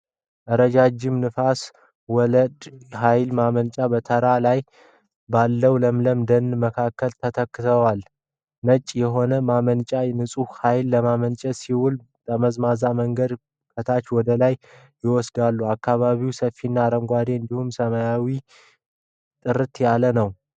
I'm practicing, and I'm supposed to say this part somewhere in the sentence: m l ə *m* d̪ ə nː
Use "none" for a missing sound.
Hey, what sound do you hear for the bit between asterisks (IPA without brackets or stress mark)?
m